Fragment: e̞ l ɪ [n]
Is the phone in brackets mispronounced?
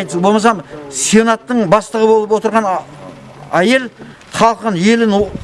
no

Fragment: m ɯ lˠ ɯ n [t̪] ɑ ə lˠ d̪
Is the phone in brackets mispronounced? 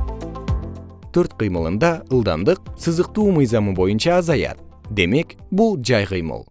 yes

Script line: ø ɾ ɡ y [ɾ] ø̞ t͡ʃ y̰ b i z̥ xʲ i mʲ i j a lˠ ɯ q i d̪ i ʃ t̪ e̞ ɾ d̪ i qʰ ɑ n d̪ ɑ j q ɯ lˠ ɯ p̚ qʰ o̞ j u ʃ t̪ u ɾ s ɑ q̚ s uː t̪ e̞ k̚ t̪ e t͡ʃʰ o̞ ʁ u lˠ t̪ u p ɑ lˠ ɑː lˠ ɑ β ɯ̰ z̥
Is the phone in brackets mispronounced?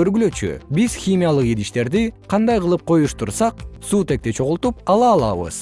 yes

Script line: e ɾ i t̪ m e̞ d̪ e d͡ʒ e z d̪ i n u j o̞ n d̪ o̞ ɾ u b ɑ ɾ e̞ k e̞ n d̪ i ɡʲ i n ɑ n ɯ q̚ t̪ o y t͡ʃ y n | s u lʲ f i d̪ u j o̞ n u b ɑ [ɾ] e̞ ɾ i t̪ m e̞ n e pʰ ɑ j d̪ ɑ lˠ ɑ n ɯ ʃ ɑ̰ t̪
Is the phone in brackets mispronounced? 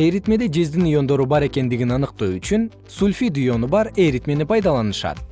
no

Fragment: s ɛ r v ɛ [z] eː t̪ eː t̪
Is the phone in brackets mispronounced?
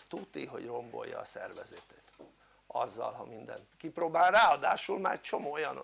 no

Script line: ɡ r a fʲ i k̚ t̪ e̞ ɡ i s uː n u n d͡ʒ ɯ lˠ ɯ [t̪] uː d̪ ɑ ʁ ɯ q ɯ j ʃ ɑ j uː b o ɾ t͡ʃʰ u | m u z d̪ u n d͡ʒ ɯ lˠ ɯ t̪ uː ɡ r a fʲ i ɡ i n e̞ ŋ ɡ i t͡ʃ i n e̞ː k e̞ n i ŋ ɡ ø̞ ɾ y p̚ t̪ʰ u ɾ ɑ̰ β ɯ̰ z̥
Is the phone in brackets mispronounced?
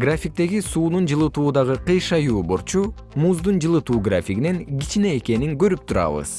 no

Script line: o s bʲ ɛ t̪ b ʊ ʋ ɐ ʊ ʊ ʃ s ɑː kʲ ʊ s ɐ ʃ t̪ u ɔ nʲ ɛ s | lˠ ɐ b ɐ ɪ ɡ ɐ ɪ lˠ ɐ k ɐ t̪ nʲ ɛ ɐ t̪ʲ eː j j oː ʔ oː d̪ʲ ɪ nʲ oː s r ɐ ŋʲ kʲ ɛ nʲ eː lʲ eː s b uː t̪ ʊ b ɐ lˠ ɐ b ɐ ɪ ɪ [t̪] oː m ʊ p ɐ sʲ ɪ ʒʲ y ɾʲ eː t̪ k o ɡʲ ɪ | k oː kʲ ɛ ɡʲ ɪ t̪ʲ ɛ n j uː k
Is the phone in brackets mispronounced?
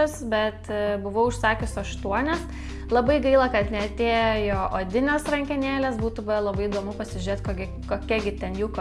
yes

